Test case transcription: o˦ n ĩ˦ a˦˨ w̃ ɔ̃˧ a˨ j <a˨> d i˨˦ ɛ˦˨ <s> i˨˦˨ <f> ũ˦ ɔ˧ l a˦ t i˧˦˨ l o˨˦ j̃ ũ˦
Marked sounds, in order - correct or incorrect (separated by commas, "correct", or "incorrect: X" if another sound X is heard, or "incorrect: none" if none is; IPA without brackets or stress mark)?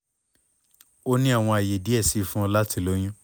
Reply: incorrect: e˨, correct, correct